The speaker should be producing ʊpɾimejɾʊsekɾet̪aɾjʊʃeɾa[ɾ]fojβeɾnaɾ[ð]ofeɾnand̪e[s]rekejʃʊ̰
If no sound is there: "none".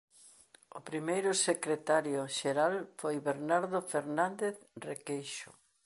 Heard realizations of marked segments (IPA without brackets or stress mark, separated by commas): l, ð, θ